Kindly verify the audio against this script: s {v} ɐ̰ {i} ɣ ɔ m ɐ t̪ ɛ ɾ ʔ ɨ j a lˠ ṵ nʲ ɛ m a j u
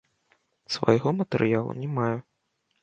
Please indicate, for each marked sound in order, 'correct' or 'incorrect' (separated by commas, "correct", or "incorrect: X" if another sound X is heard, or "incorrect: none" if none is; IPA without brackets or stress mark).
correct, incorrect: j